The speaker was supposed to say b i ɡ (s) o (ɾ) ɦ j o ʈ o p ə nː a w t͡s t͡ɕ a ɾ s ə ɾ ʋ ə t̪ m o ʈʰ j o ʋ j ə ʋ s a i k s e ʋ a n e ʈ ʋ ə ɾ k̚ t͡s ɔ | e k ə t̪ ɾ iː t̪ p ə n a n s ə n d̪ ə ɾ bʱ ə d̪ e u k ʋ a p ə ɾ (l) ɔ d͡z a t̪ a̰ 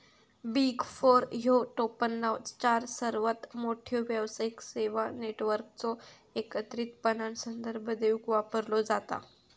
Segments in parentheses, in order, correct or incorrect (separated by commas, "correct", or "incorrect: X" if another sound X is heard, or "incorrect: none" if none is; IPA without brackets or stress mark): incorrect: f, correct, correct